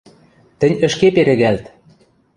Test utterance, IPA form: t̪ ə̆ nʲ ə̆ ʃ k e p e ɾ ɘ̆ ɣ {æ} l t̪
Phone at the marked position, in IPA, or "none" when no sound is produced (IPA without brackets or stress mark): æ